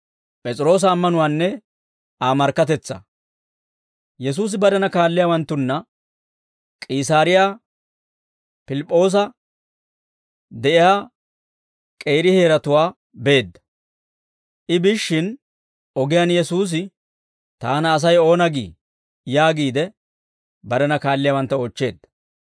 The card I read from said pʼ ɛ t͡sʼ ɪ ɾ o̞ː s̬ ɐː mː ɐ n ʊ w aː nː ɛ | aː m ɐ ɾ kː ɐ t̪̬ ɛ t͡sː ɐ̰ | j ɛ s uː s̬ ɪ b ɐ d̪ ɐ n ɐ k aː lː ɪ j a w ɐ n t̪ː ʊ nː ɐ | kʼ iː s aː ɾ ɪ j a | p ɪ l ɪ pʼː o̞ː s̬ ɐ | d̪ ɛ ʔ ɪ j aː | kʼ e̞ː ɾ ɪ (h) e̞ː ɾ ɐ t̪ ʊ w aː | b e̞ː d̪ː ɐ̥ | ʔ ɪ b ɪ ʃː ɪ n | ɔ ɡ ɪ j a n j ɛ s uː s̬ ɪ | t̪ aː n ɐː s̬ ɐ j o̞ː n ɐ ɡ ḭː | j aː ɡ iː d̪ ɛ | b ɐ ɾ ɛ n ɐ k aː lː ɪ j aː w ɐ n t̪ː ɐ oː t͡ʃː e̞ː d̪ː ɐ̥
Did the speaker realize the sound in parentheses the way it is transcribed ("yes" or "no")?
yes